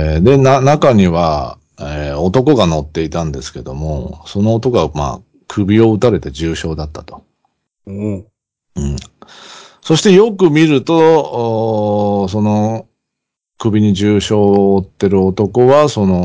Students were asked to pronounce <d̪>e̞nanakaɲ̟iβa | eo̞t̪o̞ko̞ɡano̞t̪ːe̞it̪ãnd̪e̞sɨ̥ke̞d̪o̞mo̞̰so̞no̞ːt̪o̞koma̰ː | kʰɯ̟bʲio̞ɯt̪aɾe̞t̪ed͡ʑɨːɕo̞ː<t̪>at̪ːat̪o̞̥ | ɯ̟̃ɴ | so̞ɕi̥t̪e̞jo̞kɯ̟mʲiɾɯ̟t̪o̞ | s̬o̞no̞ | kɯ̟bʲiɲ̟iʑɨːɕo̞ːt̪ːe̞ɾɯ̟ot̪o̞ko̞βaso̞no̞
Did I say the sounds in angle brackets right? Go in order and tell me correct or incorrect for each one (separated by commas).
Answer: correct, incorrect